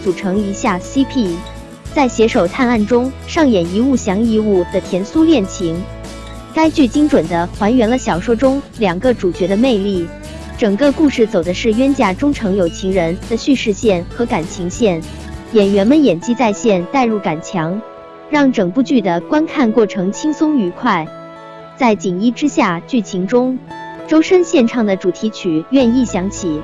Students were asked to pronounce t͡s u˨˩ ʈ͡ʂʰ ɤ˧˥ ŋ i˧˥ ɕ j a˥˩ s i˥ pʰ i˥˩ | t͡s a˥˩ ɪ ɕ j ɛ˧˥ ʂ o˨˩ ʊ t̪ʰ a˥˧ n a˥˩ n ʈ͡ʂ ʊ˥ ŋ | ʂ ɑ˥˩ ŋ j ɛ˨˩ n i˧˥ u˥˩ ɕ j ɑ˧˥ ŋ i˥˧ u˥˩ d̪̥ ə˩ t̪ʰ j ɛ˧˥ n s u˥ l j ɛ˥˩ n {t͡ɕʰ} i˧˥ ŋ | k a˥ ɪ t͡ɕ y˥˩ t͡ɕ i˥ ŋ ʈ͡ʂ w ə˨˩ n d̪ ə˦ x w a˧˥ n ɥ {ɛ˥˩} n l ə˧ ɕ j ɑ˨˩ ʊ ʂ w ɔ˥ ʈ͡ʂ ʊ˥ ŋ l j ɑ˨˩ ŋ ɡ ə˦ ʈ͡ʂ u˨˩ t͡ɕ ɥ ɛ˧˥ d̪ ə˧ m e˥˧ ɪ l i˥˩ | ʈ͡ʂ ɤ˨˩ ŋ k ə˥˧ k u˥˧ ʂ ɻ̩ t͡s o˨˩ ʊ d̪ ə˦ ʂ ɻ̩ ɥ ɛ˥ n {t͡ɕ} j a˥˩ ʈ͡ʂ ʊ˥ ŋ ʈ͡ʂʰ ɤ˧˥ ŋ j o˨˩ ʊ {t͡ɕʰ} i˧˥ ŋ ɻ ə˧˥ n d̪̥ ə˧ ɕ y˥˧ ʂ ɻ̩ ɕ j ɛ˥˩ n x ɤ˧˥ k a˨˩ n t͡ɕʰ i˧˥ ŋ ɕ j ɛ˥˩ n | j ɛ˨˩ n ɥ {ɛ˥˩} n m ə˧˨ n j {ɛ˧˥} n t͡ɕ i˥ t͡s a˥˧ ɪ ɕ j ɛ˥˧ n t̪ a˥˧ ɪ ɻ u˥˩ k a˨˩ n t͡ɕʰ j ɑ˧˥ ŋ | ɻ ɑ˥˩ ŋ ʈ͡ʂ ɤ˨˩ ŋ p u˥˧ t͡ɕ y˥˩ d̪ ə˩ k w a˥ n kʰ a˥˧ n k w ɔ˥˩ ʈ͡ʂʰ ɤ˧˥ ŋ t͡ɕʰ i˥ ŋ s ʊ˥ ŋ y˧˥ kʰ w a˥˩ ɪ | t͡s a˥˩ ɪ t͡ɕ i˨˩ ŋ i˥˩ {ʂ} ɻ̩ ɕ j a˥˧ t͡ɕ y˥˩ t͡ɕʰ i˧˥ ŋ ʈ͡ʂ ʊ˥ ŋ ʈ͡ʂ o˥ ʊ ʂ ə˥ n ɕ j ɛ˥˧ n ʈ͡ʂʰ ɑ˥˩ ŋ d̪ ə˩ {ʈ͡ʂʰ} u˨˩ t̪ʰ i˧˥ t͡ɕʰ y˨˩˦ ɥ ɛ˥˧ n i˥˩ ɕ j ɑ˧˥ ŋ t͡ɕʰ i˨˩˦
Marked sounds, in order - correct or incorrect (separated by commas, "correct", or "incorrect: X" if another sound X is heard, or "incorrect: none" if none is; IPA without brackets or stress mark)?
correct, incorrect: ɛ˧˥, correct, correct, incorrect: ɛ˧˥, incorrect: ɛ˨˩, incorrect: ʈ͡ʂ, incorrect: ʈ͡ʂ